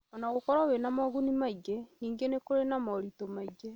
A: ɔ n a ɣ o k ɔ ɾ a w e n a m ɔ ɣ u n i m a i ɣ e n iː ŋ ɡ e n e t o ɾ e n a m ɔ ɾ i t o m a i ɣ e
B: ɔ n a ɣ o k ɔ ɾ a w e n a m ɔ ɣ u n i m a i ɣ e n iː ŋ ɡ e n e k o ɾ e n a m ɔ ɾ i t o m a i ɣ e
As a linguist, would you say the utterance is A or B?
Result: B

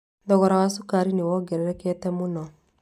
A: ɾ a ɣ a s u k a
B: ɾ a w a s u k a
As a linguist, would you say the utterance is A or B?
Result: B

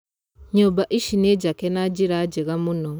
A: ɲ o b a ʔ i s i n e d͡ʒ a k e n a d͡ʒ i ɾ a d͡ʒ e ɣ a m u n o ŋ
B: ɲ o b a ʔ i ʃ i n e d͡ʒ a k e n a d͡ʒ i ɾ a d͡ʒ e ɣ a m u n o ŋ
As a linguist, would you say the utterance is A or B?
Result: B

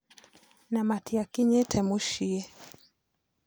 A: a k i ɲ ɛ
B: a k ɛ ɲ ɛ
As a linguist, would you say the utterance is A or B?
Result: A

